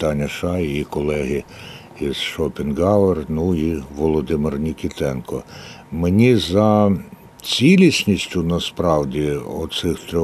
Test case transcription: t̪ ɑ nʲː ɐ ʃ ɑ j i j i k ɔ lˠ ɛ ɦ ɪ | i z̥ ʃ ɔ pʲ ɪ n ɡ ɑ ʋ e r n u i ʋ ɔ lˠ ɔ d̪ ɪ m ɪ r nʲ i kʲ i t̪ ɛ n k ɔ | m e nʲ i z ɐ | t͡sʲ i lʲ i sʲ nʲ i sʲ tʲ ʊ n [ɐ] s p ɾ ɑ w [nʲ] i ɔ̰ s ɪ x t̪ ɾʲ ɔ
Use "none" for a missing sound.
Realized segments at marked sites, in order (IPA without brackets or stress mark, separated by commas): ɐ, dʲ